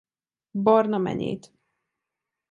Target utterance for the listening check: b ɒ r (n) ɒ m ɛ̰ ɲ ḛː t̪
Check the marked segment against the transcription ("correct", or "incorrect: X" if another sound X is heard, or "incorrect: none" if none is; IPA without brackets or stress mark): correct